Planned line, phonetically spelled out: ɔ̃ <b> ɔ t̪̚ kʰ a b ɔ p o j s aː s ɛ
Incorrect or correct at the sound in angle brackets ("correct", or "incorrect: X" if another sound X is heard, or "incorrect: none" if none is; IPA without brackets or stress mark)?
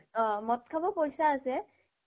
incorrect: m